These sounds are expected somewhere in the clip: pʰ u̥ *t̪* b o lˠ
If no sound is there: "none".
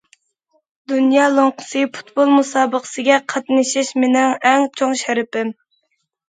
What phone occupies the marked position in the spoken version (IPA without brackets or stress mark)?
t̪